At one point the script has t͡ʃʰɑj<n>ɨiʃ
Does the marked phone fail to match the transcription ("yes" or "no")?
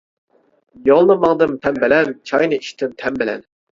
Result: no